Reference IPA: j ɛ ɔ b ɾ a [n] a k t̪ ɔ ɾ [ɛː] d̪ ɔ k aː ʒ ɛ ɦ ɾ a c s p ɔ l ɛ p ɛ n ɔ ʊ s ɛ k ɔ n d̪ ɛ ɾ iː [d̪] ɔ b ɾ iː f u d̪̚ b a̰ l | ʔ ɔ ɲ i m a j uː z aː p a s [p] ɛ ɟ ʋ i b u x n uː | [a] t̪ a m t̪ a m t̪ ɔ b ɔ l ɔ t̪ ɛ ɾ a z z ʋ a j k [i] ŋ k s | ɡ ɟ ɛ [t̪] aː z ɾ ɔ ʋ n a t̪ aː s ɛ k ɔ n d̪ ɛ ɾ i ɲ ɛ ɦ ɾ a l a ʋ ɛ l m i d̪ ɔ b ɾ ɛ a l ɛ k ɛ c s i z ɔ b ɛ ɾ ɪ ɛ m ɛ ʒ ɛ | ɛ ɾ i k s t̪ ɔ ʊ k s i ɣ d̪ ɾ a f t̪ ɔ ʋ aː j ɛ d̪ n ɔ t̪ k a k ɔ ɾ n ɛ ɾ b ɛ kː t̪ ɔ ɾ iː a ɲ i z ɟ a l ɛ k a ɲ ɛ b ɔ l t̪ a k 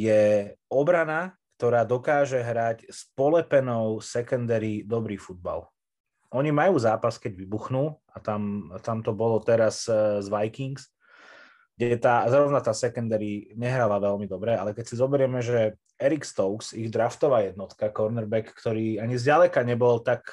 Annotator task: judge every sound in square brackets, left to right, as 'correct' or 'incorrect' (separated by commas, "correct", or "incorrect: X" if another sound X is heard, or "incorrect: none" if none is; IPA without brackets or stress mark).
correct, incorrect: aː, correct, incorrect: k, correct, correct, correct